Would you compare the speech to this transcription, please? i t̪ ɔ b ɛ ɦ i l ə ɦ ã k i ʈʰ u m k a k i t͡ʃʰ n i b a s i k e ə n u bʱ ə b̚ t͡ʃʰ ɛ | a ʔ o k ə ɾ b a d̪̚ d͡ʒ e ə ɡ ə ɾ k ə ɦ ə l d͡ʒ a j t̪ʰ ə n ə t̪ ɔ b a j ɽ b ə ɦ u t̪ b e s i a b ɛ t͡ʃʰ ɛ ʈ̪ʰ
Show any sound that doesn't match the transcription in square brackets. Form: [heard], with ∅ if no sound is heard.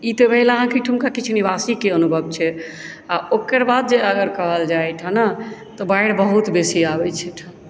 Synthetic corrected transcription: i t̪ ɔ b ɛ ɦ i l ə ɦ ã k i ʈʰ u m k a k i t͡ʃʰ n i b a s i k e ə n u bʱ ə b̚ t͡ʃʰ ɛ | a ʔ o k ə ɾ b a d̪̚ d͡ʒ e ə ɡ ə ɾ k ə ɦ ə l d͡ʒ a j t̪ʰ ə n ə t̪ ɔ b a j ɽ b ə ɦ u t̪ b e s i a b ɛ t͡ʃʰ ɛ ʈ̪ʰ